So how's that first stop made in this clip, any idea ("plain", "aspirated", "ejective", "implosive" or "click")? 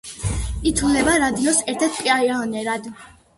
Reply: aspirated